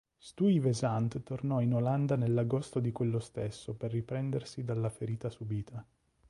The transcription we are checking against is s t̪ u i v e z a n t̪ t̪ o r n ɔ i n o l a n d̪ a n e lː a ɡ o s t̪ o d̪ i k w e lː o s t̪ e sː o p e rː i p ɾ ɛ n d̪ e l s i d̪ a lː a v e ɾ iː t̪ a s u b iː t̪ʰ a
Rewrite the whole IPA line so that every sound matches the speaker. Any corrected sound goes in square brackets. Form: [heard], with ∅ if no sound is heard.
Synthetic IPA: s t̪ u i v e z a n t̪ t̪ o r n ɔ i n o l a n d̪ a n e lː a ɡ o s t̪ o d̪ i k w e lː o s t̪ e sː o p e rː i p ɾ ɛ n d̪ e [r] s i d̪ a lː a [f] e ɾ iː t̪ a s u b iː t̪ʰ a